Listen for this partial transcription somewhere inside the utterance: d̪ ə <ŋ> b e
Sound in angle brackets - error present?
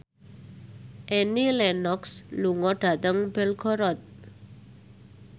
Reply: no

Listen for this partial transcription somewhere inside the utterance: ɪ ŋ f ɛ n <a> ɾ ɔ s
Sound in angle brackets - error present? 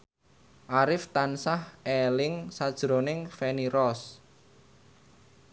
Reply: yes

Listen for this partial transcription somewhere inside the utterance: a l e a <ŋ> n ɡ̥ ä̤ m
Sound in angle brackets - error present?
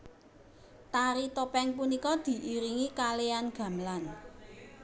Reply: yes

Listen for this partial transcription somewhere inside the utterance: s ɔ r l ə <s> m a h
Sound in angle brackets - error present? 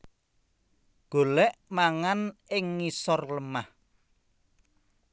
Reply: yes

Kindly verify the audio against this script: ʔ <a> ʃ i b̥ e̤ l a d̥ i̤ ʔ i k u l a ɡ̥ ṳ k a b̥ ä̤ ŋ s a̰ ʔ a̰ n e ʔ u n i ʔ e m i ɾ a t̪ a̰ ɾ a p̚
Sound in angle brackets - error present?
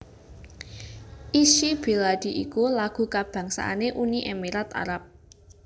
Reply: yes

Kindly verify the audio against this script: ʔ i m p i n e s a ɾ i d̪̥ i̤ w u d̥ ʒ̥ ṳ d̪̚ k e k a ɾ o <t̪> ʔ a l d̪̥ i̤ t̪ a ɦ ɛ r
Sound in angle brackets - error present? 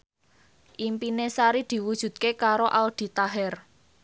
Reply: yes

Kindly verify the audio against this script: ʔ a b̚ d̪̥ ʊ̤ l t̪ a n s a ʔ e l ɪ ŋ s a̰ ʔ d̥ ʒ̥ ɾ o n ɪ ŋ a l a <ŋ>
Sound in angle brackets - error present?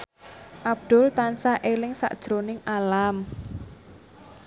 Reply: yes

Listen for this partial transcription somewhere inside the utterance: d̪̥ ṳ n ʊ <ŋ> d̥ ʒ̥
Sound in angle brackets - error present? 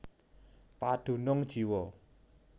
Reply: no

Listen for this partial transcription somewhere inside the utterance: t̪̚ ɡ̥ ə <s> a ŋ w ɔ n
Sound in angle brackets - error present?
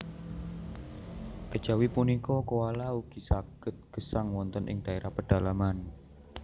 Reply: no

